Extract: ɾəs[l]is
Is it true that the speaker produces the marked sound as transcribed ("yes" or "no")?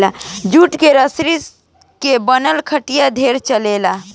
no